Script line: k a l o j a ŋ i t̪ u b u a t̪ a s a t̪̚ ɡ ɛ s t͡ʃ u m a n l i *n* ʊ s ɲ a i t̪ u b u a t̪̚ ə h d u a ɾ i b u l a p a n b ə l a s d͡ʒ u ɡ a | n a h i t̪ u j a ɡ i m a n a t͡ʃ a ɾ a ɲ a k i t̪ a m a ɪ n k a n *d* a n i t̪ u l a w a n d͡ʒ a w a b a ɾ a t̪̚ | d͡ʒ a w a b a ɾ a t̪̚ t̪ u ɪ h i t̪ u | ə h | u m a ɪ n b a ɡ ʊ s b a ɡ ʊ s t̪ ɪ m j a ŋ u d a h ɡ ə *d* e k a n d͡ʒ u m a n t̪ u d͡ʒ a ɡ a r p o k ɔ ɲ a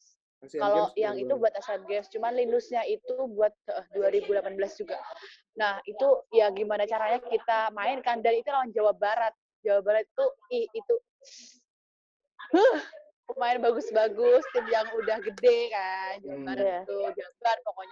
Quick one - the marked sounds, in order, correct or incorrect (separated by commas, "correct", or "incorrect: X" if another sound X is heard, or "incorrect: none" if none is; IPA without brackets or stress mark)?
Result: correct, correct, correct